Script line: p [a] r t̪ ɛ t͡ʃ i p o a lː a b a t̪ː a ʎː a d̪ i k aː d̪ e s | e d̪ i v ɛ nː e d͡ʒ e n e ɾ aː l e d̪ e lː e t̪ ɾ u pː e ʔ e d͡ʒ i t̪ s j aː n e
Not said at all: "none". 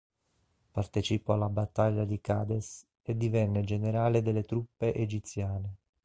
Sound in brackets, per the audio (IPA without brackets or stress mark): a